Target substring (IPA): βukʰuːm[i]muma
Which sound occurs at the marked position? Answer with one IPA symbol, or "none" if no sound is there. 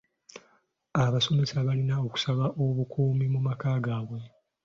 i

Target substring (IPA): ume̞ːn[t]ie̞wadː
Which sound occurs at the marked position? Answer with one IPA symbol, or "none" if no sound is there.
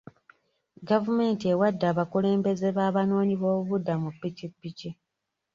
t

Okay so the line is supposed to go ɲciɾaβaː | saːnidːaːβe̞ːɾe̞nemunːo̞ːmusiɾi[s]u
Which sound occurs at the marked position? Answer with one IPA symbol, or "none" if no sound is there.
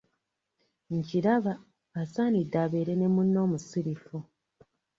f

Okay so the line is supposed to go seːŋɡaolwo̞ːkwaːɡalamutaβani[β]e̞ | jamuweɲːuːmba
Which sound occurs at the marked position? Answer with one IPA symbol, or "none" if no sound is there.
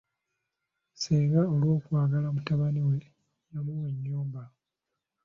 w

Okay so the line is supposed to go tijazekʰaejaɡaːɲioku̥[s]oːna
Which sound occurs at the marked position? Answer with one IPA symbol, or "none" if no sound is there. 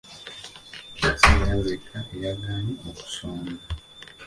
s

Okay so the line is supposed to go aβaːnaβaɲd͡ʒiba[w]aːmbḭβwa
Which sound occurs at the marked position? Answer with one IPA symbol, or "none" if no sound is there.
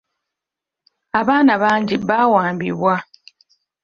w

